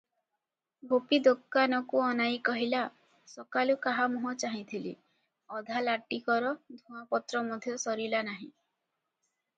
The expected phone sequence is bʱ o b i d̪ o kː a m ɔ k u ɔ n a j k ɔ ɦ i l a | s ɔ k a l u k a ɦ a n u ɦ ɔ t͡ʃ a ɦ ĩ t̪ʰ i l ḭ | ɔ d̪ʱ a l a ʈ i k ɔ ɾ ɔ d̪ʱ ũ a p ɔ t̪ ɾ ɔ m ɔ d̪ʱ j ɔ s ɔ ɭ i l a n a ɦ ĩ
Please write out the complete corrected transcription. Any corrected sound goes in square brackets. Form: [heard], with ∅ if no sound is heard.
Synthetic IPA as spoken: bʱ o [p] i d̪ o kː a [n] ɔ k u ɔ n a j k ɔ ɦ i l a | s ɔ k a l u k a ɦ a [m] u ɦ ɔ t͡ʃ a ɦ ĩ t̪ʰ i l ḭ | ɔ d̪ʱ a l a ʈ i k ɔ ɾ ɔ d̪ʱ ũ a p ɔ t̪ ɾ ɔ m ɔ d̪ʱ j ɔ s ɔ [ɾ] i l a n a ɦ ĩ